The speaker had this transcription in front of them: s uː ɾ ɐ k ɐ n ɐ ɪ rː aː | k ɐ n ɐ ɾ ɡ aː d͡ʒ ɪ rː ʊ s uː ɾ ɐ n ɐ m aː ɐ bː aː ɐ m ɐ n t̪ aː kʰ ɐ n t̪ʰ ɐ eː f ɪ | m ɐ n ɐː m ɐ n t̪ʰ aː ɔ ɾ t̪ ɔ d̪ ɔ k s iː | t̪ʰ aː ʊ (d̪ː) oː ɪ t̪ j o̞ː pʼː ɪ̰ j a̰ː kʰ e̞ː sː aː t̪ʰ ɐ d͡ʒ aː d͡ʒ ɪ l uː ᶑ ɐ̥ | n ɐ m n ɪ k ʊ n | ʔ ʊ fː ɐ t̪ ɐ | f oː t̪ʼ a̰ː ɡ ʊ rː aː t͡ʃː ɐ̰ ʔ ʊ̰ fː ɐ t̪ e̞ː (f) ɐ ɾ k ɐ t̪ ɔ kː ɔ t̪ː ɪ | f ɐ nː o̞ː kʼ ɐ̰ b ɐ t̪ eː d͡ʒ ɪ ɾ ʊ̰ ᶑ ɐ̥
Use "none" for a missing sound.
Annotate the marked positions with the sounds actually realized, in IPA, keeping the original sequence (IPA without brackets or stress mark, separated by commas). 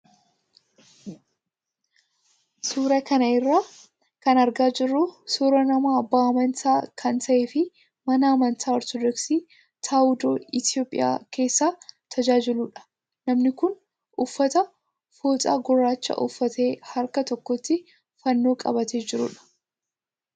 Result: d̪, h